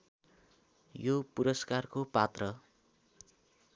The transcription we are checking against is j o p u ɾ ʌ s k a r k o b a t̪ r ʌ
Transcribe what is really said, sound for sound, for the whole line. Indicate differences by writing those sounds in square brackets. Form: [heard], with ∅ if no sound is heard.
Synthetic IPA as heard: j o p u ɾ ʌ s k a r k o [p] a t̪ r ʌ

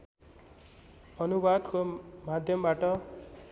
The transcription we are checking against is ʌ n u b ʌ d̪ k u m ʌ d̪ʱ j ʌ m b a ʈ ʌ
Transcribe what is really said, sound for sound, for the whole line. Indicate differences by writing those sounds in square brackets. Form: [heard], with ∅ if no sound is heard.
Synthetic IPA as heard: ʌ n u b [a] d̪ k [o] m [a] d̪ʱ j ʌ m b a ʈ ʌ

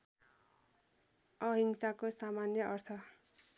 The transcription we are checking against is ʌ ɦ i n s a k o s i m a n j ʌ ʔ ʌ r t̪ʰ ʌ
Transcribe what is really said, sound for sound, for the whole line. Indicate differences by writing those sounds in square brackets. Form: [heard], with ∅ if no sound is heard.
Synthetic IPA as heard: ʌ ɦ i [ŋ] s a k o s [a] m a n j ʌ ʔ ʌ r t̪ʰ ʌ

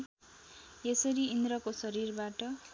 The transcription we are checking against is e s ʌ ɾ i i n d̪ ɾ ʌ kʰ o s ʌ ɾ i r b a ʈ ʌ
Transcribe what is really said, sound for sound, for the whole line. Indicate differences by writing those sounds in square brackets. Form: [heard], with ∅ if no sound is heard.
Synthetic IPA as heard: e s ʌ ɾ i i n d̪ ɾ ʌ [k] o s ʌ ɾ i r b a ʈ ʌ

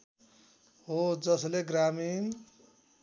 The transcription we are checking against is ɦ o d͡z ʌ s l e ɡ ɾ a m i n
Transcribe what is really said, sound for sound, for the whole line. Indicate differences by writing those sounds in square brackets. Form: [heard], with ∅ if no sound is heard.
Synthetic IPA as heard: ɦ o d͡z ʌ s l e ɡ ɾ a m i n

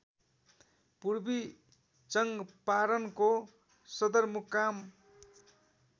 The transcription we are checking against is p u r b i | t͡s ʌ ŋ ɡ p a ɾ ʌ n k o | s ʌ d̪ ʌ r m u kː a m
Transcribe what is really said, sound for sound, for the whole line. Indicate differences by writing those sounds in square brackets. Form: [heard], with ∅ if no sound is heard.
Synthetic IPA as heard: p u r b i | t͡s ʌ ŋ ɡ p a ɾ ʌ n k o | s ʌ d̪ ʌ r m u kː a m

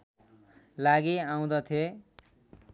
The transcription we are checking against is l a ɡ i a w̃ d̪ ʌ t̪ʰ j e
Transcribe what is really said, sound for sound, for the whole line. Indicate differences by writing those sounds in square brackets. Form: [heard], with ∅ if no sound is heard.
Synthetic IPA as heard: l a ɡ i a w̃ d̪ ʌ t̪ʰ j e

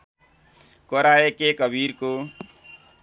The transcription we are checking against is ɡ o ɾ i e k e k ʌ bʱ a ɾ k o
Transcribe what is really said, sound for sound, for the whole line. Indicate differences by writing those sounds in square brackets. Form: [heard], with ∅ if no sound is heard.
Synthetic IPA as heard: [k] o ɾ [a] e k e k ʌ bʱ [i] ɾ k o

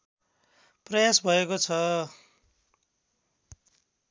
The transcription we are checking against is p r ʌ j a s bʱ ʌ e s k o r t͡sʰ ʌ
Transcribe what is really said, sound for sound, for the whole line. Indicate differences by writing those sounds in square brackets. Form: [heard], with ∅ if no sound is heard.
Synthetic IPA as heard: p r ʌ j a s bʱ ʌ e [∅] k o [∅] t͡sʰ ʌ

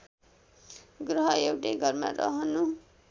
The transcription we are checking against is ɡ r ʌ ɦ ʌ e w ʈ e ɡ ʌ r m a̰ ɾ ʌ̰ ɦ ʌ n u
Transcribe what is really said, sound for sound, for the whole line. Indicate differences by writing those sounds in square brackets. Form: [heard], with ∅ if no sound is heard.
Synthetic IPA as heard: ɡ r ʌ ɦ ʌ e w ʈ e ɡ ʌ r m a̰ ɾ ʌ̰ ɦ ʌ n u

